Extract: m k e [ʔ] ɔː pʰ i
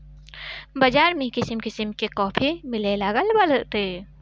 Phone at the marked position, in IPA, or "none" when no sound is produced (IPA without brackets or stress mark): k